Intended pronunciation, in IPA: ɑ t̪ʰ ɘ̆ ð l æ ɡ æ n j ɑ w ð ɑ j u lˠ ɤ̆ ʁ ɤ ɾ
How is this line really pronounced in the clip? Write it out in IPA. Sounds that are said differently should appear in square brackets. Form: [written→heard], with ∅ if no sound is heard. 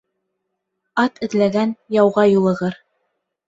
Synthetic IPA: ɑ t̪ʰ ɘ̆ ð l æ ɡ æ n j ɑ w [ð→ʁ] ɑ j u lˠ ɤ̆ ʁ ɤ ɾ

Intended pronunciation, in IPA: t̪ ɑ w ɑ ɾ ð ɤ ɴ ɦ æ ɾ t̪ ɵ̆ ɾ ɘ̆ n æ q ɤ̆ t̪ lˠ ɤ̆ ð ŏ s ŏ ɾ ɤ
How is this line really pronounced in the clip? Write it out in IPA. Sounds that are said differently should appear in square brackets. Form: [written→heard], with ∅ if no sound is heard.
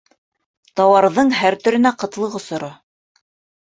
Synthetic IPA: t̪ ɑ w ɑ ɾ ð ɤ ɴ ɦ æ ɾ t̪ ɵ̆ ɾ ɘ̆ n æ q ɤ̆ t̪ lˠ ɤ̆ [ð→ʁ] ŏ s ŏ ɾ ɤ

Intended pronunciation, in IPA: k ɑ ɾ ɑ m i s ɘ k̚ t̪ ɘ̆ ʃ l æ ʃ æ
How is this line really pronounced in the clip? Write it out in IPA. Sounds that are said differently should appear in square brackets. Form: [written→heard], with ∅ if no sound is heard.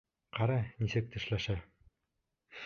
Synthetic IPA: [k→q] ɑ ɾ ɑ [m→n] i s ɘ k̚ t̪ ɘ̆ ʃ l æ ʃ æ

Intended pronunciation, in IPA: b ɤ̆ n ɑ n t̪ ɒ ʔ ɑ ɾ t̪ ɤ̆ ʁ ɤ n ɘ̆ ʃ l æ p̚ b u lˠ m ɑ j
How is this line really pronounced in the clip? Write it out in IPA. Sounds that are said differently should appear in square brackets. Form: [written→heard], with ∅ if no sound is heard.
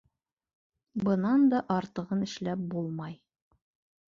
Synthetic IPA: b ɤ̆ n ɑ n [t̪→d̪] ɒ ʔ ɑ ɾ t̪ ɤ̆ ʁ ɤ n ɘ̆ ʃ l æ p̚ b u lˠ m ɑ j

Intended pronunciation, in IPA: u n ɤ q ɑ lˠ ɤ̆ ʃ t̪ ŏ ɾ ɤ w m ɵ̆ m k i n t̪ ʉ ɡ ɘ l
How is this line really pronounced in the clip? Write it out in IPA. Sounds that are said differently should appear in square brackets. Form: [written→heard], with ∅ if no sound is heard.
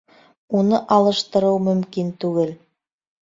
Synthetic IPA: u n ɤ [q→ʔ] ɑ lˠ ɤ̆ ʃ t̪ [ŏ→ɤ̆] ɾ ɤ w m ɵ̆ m k i n t̪ ʉ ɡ ɘ l

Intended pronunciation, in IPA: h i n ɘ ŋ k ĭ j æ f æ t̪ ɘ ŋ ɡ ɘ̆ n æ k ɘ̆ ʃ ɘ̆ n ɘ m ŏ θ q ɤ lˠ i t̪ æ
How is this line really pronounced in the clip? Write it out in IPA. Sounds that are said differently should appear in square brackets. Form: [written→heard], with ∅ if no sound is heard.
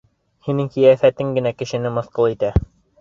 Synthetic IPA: h i n ɘ ŋ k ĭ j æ f æ t̪ ɘ ŋ ɡ ɘ̆ n æ k ɘ̆ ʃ ɘ̆ n ɘ m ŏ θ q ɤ lˠ i t̪ æ

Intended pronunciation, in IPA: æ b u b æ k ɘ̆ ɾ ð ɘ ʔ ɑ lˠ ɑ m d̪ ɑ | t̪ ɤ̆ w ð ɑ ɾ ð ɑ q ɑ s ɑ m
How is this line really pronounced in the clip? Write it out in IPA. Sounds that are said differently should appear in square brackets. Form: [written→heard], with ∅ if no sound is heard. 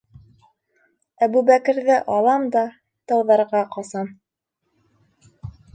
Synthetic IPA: æ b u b æ k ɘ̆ ɾ ð ɘ ʔ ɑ lˠ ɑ m d̪ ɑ | t̪ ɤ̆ w ð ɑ ɾ [ð→ʁ] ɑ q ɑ s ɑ m

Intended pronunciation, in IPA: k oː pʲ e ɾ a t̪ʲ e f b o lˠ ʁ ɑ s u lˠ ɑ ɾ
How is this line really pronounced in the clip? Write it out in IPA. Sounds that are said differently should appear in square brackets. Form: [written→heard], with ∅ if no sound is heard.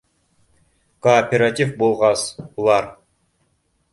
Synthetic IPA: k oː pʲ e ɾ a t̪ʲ [e→i] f b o lˠ ʁ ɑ s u lˠ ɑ ɾ

